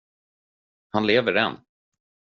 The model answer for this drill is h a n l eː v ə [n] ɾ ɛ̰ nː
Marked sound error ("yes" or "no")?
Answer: yes